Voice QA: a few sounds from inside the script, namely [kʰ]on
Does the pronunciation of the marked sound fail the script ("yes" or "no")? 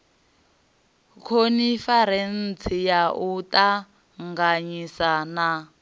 no